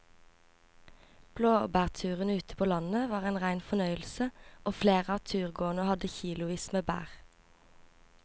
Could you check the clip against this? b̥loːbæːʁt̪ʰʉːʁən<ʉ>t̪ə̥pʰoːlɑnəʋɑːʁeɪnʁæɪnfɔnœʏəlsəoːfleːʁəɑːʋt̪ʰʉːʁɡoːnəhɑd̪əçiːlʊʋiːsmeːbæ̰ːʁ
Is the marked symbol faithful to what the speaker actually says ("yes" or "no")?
no